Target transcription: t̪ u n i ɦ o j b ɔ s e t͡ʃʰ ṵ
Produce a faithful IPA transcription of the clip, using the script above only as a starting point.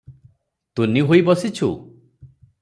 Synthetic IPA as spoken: t̪ u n i ɦ o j b ɔ s i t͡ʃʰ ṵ